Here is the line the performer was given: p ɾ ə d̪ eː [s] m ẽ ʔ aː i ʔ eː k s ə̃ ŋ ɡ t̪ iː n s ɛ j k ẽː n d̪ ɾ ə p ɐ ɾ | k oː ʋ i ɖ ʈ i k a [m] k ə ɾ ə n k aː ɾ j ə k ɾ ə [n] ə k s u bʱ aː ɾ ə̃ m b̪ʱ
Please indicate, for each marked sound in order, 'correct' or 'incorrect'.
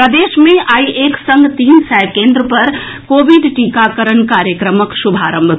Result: incorrect: ʃ, incorrect: none, incorrect: m

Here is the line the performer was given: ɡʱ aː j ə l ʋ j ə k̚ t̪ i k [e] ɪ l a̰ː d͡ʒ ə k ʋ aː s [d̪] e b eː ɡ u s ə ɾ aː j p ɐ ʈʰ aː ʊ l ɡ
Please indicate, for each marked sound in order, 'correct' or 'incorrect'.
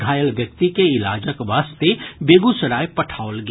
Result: correct, incorrect: t̪

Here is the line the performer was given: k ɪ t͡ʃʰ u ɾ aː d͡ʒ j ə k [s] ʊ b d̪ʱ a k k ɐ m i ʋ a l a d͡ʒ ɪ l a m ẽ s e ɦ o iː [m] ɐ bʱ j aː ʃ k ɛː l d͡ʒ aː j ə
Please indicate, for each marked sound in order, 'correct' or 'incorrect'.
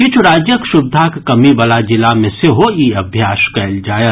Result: incorrect: ʃ, incorrect: none

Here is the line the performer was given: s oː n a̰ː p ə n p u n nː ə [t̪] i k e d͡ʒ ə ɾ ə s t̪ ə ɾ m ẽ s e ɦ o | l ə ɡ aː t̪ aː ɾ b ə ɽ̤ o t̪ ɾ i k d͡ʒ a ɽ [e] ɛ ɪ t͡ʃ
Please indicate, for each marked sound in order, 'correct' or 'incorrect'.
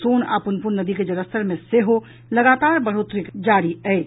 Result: incorrect: d̪, incorrect: i

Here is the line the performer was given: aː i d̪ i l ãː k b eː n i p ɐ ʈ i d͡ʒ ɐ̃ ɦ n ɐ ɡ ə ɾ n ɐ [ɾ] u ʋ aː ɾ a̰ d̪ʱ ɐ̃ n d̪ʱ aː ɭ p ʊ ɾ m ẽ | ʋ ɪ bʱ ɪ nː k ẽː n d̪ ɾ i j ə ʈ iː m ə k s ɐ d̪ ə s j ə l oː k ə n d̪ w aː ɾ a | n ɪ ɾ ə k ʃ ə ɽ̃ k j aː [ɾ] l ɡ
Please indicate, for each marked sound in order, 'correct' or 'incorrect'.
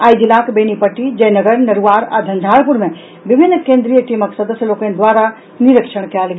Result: correct, incorrect: none

